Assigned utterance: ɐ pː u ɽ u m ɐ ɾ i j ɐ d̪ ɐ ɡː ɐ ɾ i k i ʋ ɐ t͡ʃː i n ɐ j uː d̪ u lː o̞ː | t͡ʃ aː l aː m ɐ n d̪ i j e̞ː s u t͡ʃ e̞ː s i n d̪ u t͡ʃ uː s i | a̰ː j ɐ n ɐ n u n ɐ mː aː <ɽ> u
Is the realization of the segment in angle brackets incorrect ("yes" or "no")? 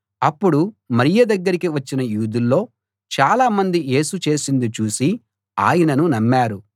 yes